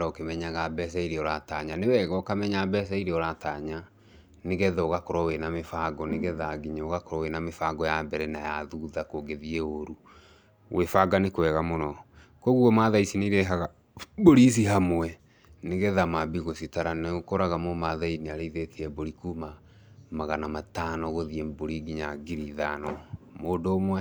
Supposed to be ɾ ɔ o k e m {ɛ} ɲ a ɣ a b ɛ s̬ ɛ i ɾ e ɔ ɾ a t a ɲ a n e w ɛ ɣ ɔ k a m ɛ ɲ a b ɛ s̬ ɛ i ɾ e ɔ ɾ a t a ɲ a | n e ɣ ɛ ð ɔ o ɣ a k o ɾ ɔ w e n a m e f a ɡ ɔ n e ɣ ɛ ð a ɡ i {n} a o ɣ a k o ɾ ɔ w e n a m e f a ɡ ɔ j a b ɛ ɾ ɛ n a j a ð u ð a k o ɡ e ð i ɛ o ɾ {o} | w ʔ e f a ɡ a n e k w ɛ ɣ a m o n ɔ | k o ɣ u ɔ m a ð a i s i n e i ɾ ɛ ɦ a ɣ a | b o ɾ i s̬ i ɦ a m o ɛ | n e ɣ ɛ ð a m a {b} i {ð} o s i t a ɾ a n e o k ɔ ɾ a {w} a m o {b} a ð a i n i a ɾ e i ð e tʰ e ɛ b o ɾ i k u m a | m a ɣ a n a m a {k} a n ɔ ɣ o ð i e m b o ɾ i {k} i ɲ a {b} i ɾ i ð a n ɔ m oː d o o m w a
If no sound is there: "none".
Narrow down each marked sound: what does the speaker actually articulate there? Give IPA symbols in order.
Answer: ɛ, ɲ, u, b, ɣ, ɣ, m, t, ɡ, ɡ

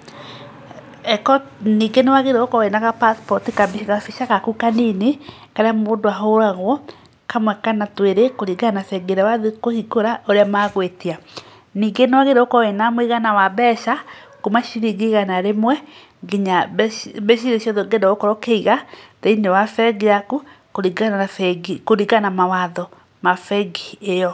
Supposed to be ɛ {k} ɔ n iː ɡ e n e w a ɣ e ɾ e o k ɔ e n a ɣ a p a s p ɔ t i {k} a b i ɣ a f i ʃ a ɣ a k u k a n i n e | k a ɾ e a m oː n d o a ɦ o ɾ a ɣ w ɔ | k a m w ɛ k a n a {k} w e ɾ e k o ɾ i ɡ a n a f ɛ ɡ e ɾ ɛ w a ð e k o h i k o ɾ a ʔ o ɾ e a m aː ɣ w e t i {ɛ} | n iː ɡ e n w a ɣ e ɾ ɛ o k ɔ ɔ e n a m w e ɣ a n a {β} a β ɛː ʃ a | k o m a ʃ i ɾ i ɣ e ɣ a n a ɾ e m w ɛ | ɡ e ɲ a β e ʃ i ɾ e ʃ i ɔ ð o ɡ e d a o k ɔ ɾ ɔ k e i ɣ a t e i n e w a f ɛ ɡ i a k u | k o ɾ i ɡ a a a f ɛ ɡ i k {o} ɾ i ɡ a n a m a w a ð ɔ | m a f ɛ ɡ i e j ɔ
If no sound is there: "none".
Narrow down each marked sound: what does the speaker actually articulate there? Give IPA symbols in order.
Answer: k, k, t, a, w, o

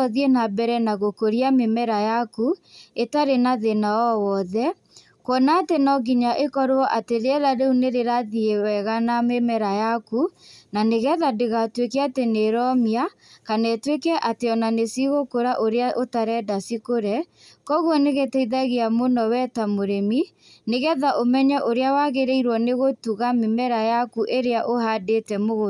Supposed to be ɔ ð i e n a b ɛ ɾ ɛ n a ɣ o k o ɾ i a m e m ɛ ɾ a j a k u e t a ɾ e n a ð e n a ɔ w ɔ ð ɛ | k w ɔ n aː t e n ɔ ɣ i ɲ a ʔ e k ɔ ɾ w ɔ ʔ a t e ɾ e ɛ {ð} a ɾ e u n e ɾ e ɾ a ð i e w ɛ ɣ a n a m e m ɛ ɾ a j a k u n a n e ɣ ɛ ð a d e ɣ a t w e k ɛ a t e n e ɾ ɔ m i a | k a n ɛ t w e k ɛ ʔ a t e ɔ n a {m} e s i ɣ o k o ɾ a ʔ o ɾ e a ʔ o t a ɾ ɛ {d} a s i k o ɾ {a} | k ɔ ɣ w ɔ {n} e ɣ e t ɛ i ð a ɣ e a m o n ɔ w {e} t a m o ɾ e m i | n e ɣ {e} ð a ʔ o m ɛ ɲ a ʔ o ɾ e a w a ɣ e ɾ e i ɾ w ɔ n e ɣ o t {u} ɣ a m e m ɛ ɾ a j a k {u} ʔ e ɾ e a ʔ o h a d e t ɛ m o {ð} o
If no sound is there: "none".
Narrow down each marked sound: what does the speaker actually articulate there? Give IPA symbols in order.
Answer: ð, n, d, ɛ, n, ɛ, ɛ, u, u, ɣ

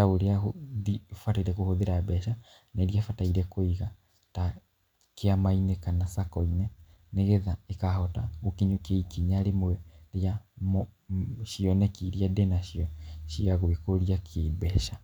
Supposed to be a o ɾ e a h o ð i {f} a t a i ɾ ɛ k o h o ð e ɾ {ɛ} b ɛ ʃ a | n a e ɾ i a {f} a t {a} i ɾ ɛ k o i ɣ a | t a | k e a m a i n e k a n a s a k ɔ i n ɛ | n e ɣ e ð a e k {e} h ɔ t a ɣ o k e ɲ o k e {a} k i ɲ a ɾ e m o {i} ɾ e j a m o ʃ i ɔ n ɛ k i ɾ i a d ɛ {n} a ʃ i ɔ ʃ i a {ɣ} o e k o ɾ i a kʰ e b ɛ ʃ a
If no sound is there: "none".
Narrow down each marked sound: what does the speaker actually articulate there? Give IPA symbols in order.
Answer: f, a, f, a, a, i, ɛ, n, ɣ

